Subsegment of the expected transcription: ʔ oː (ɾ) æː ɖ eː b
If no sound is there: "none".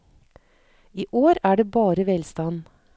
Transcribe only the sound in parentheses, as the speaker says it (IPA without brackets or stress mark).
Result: ɾ